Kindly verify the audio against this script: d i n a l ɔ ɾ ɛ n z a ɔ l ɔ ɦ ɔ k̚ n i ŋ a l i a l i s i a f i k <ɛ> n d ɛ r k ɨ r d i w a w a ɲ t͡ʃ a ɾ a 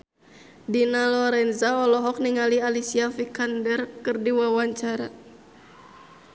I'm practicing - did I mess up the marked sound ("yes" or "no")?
yes